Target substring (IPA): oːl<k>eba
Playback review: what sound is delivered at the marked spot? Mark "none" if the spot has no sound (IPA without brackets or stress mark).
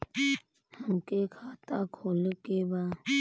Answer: k